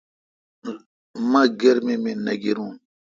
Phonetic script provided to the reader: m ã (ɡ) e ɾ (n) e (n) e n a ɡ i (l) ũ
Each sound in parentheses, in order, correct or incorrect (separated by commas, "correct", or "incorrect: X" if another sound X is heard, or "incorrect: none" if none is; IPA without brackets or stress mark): correct, incorrect: m, incorrect: m, incorrect: ɾ